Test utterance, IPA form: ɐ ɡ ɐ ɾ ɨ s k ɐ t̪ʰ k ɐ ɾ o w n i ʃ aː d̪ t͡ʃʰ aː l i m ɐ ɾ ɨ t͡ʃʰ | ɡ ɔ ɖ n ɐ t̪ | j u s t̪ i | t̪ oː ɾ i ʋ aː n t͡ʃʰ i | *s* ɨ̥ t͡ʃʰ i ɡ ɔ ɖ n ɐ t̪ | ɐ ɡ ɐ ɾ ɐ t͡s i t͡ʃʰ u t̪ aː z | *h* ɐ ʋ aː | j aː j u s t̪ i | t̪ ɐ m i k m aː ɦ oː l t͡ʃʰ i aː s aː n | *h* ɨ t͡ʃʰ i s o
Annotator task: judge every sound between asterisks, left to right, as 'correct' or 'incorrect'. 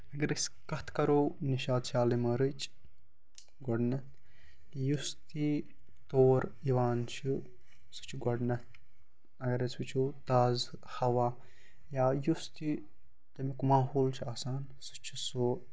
correct, correct, incorrect

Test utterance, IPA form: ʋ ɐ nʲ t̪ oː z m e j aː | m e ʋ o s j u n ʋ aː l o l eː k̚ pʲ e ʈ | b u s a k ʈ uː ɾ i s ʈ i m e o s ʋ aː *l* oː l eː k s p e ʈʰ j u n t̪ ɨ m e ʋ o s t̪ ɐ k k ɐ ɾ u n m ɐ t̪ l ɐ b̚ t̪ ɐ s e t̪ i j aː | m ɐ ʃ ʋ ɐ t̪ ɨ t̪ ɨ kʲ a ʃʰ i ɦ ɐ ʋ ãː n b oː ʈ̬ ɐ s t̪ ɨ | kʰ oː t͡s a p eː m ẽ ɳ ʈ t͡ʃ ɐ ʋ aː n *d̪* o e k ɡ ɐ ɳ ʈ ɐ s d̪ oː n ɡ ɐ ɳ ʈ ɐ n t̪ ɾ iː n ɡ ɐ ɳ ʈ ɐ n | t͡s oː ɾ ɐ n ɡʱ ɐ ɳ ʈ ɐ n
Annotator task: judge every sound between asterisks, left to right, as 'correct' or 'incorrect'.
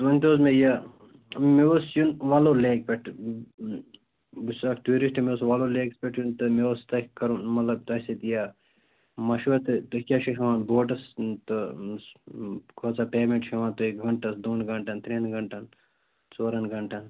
correct, incorrect

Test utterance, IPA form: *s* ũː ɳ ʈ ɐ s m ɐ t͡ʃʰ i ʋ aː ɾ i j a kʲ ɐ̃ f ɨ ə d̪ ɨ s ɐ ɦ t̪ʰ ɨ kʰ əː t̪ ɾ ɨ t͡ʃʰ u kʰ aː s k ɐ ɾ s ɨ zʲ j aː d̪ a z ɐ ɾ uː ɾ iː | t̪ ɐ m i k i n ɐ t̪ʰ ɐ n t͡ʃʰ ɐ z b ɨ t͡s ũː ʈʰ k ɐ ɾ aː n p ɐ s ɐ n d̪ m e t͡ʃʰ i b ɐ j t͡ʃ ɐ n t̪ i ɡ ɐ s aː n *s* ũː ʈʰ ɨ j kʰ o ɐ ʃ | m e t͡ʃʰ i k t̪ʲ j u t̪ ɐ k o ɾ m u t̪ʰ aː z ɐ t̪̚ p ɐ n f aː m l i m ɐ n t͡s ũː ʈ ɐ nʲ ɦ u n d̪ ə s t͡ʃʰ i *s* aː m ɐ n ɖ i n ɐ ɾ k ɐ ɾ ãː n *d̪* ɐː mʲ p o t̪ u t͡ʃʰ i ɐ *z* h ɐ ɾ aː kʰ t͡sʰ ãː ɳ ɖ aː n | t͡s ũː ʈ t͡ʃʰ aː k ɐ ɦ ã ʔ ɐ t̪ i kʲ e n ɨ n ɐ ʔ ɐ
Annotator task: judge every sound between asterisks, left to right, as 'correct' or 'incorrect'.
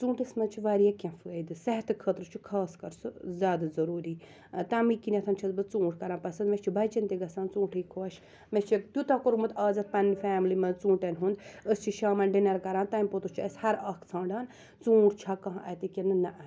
incorrect, incorrect, incorrect, incorrect, incorrect

